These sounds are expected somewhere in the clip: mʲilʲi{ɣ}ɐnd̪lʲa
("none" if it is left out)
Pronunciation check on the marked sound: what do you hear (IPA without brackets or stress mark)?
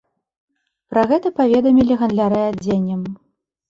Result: ɣ